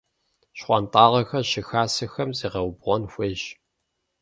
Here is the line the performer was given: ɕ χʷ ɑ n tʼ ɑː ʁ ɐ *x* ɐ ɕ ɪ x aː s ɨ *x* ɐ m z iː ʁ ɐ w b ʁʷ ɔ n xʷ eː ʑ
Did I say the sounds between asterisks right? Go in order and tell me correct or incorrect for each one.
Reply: correct, correct

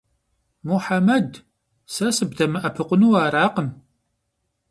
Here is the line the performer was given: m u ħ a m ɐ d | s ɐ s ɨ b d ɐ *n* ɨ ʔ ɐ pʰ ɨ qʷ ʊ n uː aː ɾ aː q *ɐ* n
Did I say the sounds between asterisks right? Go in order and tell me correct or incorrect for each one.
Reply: incorrect, incorrect

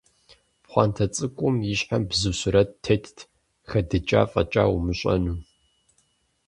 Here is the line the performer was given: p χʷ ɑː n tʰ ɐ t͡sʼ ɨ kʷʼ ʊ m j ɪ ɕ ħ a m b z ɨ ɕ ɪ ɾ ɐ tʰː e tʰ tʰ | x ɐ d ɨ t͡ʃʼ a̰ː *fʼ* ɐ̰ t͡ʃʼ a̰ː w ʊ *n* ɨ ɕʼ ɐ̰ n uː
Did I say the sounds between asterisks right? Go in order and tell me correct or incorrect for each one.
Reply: correct, incorrect

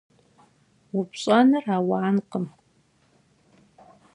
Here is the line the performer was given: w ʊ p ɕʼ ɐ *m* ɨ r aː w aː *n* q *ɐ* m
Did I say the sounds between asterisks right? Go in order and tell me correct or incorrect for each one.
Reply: incorrect, correct, incorrect

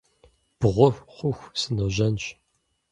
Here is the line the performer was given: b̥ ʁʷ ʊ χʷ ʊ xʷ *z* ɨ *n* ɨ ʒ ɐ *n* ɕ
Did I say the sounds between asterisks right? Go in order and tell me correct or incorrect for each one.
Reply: incorrect, correct, correct

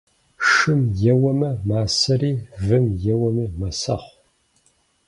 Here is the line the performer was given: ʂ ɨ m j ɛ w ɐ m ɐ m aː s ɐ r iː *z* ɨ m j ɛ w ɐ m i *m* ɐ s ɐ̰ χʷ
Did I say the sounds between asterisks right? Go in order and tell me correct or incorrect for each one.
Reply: incorrect, correct

